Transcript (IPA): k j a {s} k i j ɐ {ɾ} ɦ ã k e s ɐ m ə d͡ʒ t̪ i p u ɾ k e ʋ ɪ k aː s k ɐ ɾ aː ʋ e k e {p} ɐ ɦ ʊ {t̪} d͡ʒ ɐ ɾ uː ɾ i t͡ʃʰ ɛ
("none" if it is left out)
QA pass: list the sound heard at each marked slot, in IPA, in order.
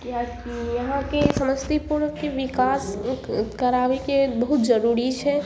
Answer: none, none, b, t̪

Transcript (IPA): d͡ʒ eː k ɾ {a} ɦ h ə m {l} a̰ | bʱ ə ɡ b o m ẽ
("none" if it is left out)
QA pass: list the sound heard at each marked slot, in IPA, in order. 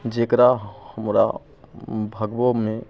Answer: a, ɾ

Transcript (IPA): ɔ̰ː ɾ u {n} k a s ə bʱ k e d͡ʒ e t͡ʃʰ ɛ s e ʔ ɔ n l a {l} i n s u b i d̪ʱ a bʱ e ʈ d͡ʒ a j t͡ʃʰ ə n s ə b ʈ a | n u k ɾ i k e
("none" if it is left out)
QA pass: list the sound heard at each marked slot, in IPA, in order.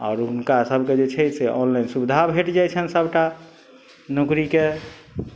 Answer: n, none

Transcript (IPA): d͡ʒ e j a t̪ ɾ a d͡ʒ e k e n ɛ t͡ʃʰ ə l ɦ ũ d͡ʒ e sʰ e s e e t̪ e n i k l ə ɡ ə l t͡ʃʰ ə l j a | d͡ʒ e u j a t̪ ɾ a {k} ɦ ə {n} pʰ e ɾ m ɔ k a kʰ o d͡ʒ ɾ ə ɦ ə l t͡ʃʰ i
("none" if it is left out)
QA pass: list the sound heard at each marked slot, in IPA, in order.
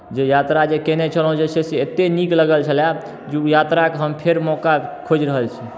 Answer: k, m

